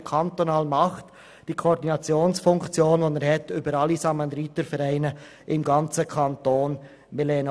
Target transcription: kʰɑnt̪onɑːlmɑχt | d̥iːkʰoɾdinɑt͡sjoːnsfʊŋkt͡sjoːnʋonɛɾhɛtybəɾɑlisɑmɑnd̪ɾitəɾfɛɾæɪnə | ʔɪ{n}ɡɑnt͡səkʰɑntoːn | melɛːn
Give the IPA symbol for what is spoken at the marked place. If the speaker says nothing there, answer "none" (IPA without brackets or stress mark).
m